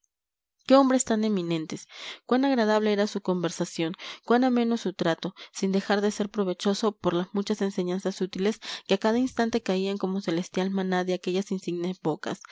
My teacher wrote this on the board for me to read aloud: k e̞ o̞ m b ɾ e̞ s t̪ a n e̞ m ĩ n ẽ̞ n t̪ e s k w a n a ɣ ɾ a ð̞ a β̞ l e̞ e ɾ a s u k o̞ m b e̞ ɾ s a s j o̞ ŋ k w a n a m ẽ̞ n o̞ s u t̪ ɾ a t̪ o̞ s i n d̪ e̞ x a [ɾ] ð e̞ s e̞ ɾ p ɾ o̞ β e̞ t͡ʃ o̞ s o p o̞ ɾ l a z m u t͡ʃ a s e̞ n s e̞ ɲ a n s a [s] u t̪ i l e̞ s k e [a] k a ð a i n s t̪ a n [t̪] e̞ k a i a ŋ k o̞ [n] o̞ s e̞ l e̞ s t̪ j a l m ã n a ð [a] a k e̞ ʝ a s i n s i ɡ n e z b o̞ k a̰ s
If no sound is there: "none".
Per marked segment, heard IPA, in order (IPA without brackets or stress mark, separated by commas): ɾ, s, a, t̪, m, e